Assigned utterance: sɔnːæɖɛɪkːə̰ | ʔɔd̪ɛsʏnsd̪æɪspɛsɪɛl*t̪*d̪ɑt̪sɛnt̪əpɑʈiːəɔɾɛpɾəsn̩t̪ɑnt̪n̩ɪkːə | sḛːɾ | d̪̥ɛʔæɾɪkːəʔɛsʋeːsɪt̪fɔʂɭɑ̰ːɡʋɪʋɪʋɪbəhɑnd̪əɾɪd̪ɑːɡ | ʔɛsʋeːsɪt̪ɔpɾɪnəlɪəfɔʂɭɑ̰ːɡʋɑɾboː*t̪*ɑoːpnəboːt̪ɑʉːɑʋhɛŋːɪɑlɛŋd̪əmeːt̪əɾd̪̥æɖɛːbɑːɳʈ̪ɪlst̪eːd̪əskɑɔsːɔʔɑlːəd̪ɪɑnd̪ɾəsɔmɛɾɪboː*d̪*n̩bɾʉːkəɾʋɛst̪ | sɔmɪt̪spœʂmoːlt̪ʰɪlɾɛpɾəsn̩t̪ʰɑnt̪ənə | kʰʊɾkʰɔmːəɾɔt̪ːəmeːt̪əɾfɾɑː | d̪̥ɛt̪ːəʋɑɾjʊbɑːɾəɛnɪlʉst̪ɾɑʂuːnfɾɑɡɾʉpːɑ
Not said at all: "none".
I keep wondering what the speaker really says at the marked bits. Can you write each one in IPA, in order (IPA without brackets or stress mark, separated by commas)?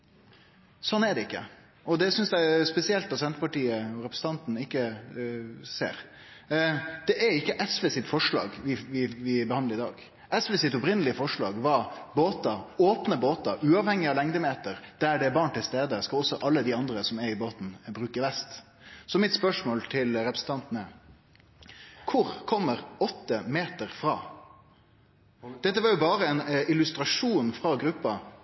t̪, t̪, t̪